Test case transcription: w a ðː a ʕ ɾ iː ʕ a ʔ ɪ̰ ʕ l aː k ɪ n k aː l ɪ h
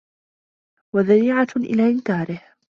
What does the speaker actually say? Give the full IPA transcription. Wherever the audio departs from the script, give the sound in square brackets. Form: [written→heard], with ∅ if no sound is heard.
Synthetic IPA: w a [ðː→ð] a [ʕ→∅] ɾ iː ʕ a ʔ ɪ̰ [ʕ→∅] l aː [k→ʔ] ɪ n k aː [l→ɾ] ɪ h